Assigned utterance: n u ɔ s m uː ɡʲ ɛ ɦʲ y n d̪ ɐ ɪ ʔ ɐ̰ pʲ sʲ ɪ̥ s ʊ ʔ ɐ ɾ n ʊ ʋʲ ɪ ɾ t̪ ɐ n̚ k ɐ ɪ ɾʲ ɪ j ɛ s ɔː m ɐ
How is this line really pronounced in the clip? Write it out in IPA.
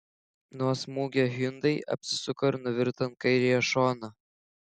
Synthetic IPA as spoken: n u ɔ s m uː ɡʲ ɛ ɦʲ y n d̪ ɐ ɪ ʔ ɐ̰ pʲ sʲ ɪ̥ s ʊ k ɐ ɾ n ʊ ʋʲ ɪ ɾ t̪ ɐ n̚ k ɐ ɪ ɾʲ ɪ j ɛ ʃ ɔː n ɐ

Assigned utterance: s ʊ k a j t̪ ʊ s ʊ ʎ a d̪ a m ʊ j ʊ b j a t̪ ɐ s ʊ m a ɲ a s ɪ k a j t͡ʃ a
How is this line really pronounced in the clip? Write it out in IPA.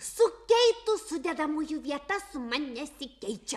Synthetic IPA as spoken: s ʊ k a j t̪ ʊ s ʊ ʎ a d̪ a m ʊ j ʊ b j a t̪ a s ʊ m a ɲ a s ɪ k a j t͡ʃ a

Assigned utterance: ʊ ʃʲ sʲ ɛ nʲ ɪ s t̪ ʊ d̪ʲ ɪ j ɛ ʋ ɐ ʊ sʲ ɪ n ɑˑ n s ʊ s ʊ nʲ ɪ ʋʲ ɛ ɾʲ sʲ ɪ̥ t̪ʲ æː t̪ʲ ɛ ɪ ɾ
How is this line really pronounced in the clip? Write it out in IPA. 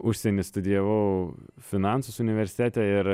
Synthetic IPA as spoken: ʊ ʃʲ sʲ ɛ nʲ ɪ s t̪ ʊ d̪ʲ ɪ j ɛ ʋ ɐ ʊ fʲ ɪ n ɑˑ n s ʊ s ʊ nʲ ɪ ʋʲ ɛ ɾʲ sʲ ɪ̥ t̪ʲ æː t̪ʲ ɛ ɪ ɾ

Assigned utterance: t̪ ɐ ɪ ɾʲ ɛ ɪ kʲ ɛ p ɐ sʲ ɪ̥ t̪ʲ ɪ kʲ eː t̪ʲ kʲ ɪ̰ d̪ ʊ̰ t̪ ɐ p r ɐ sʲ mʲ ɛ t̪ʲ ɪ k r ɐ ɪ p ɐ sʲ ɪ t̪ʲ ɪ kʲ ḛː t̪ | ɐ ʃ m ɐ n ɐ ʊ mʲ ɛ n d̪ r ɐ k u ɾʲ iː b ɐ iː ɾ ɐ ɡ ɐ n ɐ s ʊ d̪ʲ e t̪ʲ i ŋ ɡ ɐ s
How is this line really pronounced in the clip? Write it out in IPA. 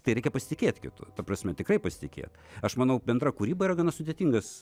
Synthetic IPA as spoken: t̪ ɐ ɪ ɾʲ ɛ ɪ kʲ ɛ p ɐ sʲ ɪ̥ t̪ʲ ɪ kʲ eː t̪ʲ kʲ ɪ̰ t̪ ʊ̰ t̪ ɐ p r ɐ sʲ mʲ ɛ t̪ʲ ɪ k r ɐ ɪ p ɐ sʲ ɪ t̪ʲ ɪ kʲ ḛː t̪ | ɐ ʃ m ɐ n ɐ ʊ bʲ ɛ n d̪ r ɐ k u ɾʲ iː b ɐ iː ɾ ɐ ɡ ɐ n ɐ s ʊ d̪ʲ e t̪ʲ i ŋ ɡ ɐ s

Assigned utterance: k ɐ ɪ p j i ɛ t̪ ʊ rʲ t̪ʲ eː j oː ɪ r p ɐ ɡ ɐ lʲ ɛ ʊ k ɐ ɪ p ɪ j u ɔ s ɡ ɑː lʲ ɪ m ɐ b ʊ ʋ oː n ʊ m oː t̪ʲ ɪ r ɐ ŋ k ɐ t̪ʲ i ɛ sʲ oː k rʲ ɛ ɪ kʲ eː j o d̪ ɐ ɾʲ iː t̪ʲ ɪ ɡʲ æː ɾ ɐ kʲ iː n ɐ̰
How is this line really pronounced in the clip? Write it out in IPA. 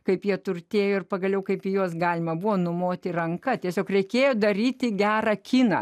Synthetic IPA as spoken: k ɐ ɪ p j i ɛ t̪ ʊ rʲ t̪ʲ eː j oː ɪ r p ɐ ɡ ɐ lʲ ɛ ʊ k ɐ ɪ p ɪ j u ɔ s ɡ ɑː lʲ ɪ m ɐ b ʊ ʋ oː n ʊ m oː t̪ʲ ɪ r ɐ ŋ k ɐ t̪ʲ i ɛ sʲ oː k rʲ ɛ ɪ kʲ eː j o d̪ ɐ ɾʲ iː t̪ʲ ɪ ɡʲ æː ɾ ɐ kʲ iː n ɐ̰

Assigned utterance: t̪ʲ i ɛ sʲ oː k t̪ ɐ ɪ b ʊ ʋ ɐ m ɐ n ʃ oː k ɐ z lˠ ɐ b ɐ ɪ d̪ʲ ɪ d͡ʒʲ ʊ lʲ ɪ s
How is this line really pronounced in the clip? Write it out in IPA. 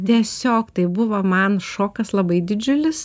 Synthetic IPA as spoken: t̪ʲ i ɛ sʲ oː k t̪ ɐ ɪ b ʊ ʋ ɐ m ɐ n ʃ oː k ɐ s lˠ ɐ b ɐ ɪ d̪ʲ ɪ d͡ʒʲ ʊ lʲ ɪ s

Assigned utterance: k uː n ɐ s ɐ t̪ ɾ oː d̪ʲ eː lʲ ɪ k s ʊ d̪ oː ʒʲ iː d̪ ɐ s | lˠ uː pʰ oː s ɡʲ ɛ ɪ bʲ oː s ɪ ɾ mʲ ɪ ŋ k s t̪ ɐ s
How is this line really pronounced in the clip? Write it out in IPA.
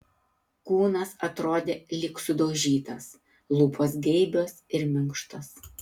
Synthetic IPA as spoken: k uː n ɐ s ɐ t̪ ɾ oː d̪ʲ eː lʲ ɪ k s ʊ d̪ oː ʒʲ iː t̪ ɐ s | lˠ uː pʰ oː s ɡʲ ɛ ɪ bʲ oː s ɪ ɾ mʲ ɪ ŋ k ʃ t̪ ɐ s

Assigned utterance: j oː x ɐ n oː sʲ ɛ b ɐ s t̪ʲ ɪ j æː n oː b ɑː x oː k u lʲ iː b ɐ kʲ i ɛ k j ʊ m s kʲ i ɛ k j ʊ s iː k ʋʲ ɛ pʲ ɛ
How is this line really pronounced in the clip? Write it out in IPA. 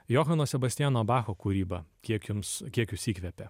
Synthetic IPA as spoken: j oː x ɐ n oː sʲ ɛ b ɐ s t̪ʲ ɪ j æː n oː b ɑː x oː k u ɾʲ iː b ɐ kʲ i ɛ k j ʊ m s kʲ i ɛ k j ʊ s iː k ʋʲ ɛ pʲ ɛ

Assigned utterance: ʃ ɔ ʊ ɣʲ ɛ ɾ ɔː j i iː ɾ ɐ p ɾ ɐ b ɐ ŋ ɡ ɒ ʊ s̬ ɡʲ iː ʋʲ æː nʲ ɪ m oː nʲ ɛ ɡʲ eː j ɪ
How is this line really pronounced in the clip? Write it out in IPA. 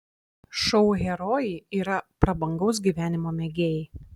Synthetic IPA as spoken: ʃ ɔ ʊ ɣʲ ɛ ɾ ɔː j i iː ɾ ɐ p ɾ ɐ b ɐ ŋ ɡ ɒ ʊ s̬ ɡʲ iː ʋʲ æː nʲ ɪ m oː mʲ ɛ ɡʲ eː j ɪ

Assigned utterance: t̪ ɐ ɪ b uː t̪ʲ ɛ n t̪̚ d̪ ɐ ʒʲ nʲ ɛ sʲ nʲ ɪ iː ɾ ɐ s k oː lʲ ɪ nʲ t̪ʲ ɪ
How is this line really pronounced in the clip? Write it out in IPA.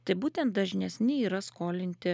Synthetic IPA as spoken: t̪ ɐ ɪ b uː t̪ʲ ɛ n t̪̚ d̪ ɐ ʒʲ nʲ ɛ sʲ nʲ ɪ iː ɾ ɐ s k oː lʲ ɪ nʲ t̪ʲ ɪ

